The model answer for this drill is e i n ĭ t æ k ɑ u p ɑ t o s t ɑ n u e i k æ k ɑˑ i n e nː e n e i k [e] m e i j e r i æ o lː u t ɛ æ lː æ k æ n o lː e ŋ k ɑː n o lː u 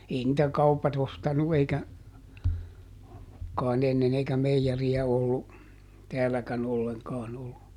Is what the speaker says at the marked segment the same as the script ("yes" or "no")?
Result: no